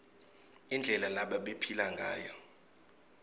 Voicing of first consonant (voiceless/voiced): voiced